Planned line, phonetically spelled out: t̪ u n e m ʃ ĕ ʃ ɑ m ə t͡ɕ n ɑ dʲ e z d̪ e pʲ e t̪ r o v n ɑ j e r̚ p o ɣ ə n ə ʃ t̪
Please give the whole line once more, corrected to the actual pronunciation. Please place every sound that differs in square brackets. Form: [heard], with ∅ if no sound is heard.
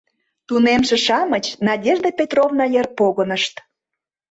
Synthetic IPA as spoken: t̪ u n e m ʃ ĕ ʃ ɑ m ə t͡ɕ n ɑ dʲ e [ʒ] d̪ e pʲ e t̪ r o v n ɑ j e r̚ p o ɣ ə n ə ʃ t̪